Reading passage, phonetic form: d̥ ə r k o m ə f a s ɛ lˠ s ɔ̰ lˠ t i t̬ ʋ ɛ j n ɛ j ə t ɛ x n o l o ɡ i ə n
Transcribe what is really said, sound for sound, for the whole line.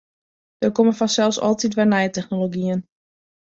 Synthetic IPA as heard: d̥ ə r k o m ə f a s ɛ lˠ s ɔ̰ lˠ t i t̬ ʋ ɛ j n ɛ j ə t ɛ x n o l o ɡ i ə n